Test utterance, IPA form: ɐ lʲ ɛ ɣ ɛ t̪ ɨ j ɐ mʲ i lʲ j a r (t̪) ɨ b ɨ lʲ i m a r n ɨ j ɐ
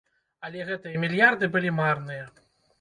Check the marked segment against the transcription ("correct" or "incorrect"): incorrect